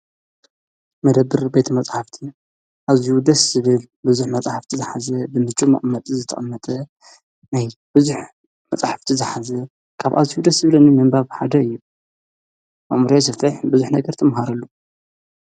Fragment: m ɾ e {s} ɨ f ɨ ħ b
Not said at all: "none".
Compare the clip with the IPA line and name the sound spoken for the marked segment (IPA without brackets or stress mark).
s